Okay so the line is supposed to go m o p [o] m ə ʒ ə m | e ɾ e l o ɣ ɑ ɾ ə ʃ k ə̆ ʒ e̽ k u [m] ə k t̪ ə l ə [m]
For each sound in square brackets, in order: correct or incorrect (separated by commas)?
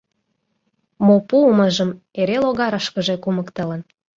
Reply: incorrect, correct, incorrect